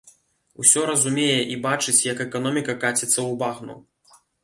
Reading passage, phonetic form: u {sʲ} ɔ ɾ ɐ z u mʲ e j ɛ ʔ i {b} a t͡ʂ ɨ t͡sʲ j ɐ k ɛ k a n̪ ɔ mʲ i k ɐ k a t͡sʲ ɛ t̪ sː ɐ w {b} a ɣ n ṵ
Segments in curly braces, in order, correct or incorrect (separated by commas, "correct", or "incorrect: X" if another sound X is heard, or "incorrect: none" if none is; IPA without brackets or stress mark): correct, correct, correct